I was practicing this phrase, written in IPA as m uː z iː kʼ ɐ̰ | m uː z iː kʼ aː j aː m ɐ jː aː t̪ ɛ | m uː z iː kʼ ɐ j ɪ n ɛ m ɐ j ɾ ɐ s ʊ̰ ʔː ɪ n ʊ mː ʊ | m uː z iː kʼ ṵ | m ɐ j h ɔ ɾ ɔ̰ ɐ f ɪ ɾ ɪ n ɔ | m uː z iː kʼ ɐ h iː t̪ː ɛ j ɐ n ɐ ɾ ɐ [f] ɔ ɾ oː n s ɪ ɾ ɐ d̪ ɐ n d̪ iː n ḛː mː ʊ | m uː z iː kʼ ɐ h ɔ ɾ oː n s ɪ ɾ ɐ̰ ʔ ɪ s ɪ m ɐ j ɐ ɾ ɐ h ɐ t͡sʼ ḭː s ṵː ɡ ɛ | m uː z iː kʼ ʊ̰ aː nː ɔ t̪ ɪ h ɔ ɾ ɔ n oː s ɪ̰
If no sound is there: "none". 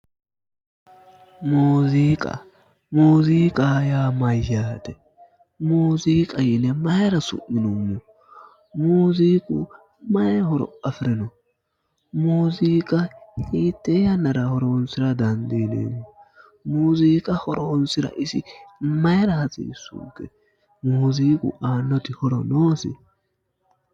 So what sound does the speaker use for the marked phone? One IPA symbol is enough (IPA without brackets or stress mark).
h